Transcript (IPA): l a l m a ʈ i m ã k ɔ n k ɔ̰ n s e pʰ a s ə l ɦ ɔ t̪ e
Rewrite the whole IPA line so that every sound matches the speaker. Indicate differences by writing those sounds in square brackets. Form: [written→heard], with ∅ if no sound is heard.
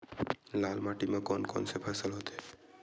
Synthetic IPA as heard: l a l m a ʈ i m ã k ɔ n k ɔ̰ n s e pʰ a s ə l ɦ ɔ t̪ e

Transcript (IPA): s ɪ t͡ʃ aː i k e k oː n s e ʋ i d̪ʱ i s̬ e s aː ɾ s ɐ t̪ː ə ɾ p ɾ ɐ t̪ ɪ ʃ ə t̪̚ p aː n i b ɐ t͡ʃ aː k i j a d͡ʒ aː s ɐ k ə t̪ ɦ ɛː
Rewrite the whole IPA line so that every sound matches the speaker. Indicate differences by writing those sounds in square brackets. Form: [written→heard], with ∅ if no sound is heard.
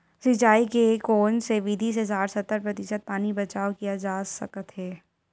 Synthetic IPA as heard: s ɪ t͡ʃ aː i k e k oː n s e ʋ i d̪ʱ i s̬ e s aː ɾ s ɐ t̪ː ə ɾ p ɾ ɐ t̪ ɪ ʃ ə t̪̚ p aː n i b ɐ t͡ʃ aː k i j a d͡ʒ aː s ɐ k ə t̪ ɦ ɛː

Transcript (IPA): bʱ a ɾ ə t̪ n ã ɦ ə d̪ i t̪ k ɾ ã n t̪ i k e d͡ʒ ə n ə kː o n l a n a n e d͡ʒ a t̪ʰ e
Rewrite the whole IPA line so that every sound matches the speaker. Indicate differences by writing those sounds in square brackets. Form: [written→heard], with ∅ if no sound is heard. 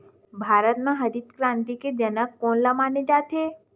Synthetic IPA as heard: bʱ a ɾ ə t̪ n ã ɦ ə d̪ i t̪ k ɾ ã n t̪ i k e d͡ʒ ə n ə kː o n l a [n→m] a n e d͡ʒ a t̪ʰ e

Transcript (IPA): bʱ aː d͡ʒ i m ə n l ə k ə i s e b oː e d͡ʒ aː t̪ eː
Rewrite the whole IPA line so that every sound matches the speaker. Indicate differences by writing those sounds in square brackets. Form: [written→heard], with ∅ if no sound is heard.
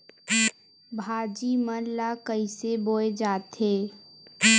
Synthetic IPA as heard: bʱ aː d͡ʒ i m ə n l [ə→a] k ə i s e b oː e d͡ʒ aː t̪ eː

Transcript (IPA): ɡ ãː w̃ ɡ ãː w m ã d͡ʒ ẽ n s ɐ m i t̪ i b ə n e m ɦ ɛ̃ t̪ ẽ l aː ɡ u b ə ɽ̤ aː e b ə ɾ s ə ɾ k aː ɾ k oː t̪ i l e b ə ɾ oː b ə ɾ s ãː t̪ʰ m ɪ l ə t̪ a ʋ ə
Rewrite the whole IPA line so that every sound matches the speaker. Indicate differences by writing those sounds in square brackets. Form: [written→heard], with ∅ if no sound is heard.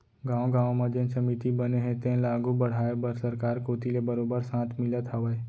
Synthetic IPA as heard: ɡ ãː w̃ ɡ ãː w m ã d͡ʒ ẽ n s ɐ m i t̪ i b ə n e [m→∅] ɦ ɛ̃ t̪ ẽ l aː ɡ u b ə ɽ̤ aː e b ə ɾ s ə ɾ k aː ɾ k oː t̪ i l e b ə ɾ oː b ə ɾ s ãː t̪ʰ m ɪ l ə t̪ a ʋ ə

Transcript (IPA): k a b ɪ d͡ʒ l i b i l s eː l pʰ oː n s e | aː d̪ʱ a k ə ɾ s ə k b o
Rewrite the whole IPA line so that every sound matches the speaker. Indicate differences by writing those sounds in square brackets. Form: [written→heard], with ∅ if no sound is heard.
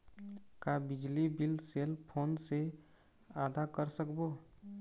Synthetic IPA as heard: k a b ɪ d͡ʒ l i b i l s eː l pʰ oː n s e | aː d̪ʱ a k ə ɾ s ə k b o

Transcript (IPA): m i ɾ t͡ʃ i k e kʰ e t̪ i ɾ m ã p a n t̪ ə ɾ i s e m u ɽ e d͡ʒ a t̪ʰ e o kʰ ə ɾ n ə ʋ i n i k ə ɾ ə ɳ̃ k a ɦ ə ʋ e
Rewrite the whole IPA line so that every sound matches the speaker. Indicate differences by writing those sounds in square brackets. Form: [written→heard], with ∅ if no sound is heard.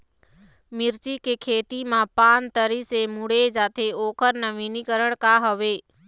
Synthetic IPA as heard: m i ɾ t͡ʃ i k e kʰ e t̪ i [ɾ→∅] m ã p a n t̪ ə ɾ i s e m u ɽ e d͡ʒ a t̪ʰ e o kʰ ə ɾ n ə ʋ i n i k ə ɾ ə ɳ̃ k a ɦ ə ʋ e

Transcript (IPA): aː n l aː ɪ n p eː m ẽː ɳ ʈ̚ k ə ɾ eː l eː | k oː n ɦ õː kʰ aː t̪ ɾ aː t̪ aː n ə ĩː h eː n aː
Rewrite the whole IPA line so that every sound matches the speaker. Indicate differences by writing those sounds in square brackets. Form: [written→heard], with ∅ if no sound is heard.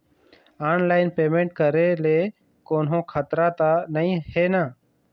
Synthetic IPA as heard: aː n l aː ɪ n p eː m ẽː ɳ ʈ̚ k ə ɾ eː l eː | k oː n ɦ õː kʰ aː t̪ ɾ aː t̪ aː n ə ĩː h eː n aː

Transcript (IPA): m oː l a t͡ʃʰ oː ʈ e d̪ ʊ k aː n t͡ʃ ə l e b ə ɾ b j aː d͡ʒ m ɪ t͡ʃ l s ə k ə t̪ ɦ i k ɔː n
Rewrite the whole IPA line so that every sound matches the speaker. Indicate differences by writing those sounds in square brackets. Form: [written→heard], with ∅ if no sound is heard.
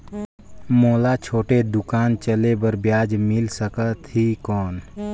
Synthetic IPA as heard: m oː l a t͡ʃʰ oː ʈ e d̪ ʊ k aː n t͡ʃ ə l e b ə ɾ b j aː d͡ʒ m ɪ [t͡ʃ→∅] l s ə k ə t̪ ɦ i k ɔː n

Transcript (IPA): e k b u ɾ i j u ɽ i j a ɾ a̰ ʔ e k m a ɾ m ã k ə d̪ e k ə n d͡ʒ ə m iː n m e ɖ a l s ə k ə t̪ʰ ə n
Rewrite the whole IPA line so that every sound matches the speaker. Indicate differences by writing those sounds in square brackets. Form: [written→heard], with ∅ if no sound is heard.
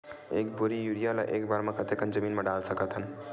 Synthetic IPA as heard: e k b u ɾ i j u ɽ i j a [ɾ→l] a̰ ʔ e k [m→b] a ɾ m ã k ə [d̪→t̪] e k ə n d͡ʒ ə m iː n m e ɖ a l s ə k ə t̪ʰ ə n

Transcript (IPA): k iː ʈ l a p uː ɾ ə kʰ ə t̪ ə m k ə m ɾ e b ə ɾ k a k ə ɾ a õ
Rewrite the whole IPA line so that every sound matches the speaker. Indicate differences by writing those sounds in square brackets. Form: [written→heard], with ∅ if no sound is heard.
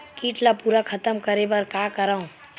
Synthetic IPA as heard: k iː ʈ l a p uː ɾ [ə→a] kʰ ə t̪ ə m k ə [m→∅] ɾ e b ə ɾ k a k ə ɾ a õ

